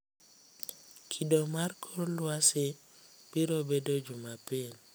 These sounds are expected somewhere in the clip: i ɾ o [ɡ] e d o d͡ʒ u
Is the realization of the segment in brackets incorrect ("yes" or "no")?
yes